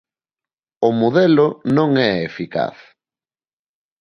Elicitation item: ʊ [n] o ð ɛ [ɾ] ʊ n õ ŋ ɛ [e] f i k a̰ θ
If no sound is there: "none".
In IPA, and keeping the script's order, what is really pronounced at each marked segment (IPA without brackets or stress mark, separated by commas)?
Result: m, l, e